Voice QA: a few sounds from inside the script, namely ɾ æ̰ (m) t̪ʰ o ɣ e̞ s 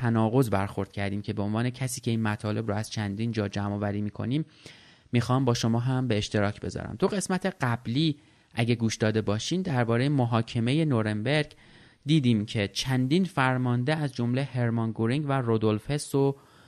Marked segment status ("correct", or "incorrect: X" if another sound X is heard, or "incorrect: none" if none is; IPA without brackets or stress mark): correct